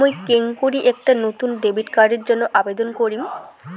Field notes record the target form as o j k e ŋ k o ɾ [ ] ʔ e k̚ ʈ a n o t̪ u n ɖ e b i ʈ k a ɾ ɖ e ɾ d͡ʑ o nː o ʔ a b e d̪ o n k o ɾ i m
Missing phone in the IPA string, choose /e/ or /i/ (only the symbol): i